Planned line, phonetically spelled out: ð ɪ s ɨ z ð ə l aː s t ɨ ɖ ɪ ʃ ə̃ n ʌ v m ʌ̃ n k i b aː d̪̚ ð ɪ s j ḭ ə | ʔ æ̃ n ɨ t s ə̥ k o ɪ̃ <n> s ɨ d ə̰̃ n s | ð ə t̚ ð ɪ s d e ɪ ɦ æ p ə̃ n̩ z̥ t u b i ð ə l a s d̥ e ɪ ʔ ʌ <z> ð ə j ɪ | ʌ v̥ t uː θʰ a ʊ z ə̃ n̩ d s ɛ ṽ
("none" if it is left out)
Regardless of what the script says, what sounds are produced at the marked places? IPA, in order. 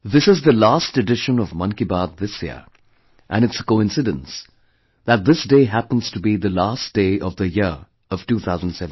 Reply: n, v

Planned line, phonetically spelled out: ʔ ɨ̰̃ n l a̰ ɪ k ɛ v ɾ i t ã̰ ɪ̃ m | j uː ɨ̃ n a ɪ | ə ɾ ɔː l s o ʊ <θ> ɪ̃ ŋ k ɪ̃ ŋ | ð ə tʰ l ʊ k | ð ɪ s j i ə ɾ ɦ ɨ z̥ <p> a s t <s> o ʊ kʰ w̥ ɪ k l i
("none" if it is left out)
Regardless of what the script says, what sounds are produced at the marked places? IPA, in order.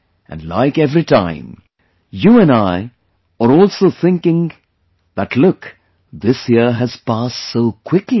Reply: θ, p, s

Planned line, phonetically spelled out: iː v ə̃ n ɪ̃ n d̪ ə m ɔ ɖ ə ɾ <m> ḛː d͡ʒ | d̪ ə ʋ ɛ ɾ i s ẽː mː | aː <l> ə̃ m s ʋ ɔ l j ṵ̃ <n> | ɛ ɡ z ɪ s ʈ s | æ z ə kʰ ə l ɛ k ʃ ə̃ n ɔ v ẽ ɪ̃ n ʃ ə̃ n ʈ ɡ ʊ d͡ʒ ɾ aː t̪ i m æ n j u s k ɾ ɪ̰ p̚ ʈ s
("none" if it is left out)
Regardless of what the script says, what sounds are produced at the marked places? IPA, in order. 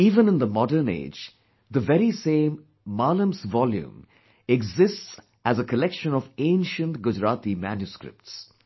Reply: n, l, m

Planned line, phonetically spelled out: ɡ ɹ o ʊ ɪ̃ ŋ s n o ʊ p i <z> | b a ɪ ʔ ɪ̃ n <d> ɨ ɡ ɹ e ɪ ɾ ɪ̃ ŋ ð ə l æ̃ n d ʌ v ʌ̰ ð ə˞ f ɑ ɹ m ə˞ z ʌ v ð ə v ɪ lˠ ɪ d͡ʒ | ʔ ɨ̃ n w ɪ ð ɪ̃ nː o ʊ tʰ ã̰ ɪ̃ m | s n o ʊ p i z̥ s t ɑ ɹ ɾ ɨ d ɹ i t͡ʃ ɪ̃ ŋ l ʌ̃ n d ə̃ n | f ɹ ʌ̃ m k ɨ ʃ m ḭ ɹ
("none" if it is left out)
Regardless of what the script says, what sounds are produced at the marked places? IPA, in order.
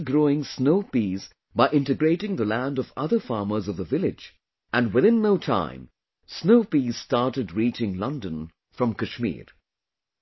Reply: z, t

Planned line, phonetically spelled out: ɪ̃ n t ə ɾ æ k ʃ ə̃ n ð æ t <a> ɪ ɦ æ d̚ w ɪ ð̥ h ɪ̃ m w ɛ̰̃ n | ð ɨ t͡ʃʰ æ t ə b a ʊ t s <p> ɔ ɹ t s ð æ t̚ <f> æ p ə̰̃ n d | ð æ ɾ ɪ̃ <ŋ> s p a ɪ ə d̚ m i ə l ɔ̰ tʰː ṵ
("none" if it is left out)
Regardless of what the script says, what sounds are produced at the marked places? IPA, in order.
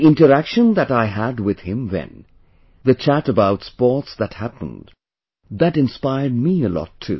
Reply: a, p, h, n

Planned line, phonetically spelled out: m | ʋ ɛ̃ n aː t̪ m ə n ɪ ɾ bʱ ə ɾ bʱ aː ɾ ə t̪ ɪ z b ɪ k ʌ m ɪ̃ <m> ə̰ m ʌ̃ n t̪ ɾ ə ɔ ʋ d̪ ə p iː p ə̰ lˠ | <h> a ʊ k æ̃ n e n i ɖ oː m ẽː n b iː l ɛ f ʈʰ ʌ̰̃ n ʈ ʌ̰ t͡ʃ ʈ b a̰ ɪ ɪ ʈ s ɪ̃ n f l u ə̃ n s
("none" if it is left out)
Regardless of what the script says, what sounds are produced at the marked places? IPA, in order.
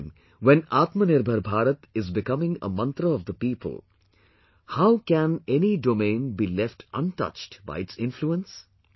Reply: ŋ, h

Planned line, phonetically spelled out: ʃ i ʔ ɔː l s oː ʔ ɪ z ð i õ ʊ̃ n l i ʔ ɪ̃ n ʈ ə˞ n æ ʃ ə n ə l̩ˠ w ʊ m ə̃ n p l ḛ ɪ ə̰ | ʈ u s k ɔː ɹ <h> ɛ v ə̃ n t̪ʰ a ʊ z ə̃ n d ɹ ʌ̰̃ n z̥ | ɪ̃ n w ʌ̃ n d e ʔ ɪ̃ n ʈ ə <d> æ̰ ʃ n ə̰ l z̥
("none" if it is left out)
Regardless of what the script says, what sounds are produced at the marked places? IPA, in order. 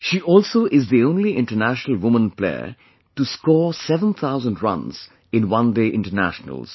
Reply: s, n

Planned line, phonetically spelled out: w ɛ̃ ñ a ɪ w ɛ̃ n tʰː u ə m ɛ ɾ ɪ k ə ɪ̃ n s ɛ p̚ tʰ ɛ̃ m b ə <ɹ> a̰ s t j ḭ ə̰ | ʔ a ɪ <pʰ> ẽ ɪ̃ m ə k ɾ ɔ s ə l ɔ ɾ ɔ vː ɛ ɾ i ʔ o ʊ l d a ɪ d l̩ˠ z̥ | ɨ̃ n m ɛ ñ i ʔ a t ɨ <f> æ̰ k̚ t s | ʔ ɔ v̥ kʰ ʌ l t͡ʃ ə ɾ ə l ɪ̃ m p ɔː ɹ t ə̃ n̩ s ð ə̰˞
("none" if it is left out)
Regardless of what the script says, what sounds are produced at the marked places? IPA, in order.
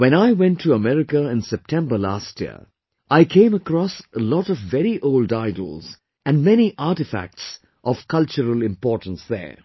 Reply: l, kʰ, f

